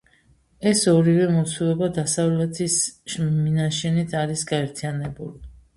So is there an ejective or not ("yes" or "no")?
no